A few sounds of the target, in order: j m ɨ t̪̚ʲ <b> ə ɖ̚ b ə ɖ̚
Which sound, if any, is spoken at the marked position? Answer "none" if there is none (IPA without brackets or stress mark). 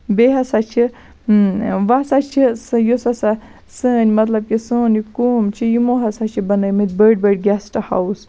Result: b